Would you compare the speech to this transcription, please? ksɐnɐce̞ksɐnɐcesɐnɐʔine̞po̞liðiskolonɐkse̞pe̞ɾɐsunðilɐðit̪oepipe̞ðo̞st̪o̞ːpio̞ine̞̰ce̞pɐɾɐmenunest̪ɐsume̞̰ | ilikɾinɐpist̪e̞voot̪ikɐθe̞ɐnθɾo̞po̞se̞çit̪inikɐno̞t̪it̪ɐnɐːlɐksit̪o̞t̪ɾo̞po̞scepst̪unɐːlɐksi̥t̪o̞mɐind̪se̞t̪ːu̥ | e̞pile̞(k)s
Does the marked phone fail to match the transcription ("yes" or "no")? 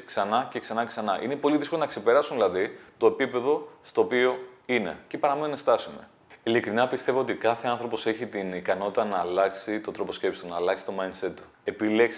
no